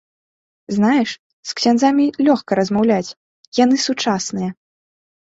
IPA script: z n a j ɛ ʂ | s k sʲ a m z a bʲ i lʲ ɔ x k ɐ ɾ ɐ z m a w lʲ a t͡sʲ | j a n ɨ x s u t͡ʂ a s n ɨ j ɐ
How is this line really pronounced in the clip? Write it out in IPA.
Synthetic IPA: z n a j ɛ ʂ | s k sʲ a n z a mʲ i lʲ ɔ x k ɐ ɾ ɐ z m a w lʲ a t͡sʲ | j a n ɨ s u t͡ʂ a s n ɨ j ɐ